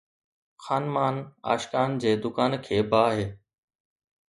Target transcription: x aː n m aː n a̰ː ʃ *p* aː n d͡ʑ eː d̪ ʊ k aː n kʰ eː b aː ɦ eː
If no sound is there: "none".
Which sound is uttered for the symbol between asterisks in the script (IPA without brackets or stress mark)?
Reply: k